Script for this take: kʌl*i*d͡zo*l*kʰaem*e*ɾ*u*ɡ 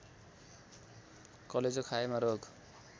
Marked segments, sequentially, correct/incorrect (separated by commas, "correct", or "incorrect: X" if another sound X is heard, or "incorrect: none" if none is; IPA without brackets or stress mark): incorrect: e, incorrect: none, incorrect: a, incorrect: o